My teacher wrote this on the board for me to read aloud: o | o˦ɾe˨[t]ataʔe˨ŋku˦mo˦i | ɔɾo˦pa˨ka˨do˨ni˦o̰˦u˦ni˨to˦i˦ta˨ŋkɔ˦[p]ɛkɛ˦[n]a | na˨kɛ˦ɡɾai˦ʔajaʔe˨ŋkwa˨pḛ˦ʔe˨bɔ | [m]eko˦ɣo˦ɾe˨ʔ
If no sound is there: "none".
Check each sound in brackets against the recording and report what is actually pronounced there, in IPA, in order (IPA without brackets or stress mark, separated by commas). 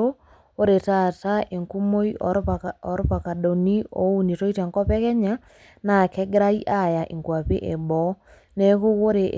t, p, ɲ, n